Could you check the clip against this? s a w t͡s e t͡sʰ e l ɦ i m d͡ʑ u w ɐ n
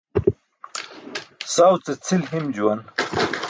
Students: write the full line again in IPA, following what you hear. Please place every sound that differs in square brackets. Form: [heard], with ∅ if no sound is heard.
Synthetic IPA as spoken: s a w t͡s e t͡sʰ [i] l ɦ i m d͡ʑ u w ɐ n